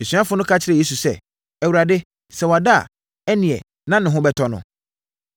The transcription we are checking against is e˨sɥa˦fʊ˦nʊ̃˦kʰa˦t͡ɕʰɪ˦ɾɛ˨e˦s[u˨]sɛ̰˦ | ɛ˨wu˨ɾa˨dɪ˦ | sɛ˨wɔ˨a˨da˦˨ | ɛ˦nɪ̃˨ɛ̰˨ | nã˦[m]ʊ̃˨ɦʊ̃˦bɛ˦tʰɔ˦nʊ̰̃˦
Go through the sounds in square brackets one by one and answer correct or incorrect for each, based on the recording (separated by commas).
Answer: correct, incorrect